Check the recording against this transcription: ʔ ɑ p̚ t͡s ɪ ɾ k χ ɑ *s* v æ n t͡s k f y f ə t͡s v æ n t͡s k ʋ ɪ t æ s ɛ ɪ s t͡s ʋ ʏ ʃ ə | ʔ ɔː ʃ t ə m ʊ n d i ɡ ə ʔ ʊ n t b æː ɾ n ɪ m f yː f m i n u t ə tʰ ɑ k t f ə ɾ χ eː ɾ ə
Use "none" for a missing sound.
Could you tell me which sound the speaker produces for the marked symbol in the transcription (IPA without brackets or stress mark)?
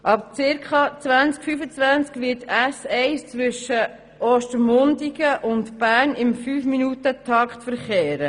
t͡s